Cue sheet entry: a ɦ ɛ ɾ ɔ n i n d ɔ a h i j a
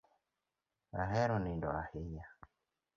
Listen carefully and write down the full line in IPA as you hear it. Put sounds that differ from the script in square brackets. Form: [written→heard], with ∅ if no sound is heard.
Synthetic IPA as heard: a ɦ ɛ ɾ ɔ n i n d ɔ a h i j a